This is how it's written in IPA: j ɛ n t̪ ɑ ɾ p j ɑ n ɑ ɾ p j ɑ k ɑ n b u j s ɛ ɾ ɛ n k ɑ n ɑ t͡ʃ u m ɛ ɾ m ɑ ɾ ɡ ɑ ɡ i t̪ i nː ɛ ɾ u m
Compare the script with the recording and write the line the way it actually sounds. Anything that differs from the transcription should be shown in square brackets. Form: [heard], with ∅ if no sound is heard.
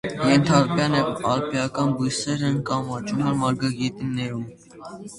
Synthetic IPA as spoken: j ɛ n [t̪ʰ] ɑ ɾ p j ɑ n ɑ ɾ p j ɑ k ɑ n b u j s ɛ ɾ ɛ n k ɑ [m] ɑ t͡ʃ u m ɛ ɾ m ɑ ɾ ɡ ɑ ɡ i t̪ i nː ɛ ɾ u m